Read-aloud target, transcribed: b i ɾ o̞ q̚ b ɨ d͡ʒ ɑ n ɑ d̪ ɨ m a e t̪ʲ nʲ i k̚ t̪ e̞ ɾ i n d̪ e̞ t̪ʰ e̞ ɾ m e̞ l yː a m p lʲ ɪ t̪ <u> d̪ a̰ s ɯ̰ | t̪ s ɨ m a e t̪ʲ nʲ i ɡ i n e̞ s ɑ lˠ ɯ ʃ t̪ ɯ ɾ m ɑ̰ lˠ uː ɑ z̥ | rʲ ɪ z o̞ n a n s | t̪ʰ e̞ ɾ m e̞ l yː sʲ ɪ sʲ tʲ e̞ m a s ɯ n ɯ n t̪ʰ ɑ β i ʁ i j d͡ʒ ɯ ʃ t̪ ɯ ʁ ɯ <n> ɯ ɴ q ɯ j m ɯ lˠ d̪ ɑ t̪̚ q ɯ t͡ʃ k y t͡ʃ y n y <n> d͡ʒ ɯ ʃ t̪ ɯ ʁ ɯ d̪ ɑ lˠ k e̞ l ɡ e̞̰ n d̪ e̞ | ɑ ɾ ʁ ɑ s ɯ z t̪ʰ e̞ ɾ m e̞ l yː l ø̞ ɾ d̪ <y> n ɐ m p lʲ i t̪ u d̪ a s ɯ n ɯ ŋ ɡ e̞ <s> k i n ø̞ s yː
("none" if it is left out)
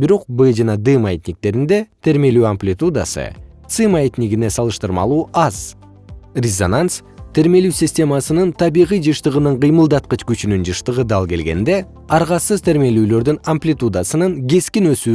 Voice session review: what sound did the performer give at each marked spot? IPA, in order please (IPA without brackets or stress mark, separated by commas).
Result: u, n, n, y, s